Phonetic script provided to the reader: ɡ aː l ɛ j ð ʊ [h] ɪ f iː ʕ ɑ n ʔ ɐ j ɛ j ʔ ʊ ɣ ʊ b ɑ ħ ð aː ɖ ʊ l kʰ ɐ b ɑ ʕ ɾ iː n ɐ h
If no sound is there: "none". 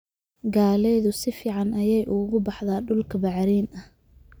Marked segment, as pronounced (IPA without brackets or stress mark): s